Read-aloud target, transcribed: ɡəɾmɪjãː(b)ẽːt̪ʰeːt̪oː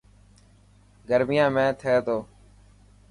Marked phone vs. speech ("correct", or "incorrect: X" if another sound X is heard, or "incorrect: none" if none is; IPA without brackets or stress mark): incorrect: m